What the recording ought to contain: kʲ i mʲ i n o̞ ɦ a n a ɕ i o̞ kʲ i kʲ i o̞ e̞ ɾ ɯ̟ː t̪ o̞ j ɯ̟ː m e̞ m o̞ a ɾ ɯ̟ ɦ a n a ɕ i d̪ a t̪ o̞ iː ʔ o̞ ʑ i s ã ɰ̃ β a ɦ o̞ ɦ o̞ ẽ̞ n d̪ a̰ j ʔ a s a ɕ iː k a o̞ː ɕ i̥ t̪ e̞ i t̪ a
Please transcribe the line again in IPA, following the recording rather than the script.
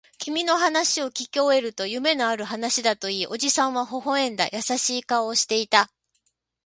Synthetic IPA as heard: kʲ i mʲ i n o̞ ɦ a n a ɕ i o̞ kʲ i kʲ i o̞ e̞ ɾ ɯ̟ t̪ o̞ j ɯ̟ m e̞ n o̞ a ɾ ɯ̟ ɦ a n a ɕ i d̪ a t̪ o̞ iː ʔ o̞ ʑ i s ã ɰ̃ β a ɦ o̞ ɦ o̞ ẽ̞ n d̪ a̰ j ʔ a s a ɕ iː k a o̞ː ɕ i̥ t̪ e̞ i t̪ a